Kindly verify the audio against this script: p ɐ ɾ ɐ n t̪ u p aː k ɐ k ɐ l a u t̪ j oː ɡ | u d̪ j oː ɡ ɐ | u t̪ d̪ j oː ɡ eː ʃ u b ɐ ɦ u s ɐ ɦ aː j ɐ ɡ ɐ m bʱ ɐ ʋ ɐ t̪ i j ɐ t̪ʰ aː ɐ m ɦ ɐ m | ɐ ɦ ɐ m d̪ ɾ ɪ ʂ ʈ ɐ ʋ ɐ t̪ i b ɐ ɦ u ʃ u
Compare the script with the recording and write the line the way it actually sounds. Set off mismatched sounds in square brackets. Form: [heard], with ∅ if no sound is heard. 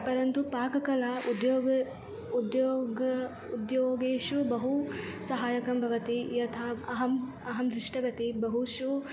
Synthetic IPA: p ɐ ɾ ɐ n t̪ u p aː k ɐ k ɐ l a u [d̪] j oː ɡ | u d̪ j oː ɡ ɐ | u [∅] d̪ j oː ɡ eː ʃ u b ɐ ɦ u s ɐ ɦ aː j ɐ [k] ɐ m bʱ ɐ ʋ ɐ t̪ i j ɐ t̪ʰ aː ɐ [∅] ɦ ɐ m | ɐ ɦ ɐ m d̪ ɾ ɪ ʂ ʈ ɐ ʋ ɐ t̪ i b ɐ ɦ u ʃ u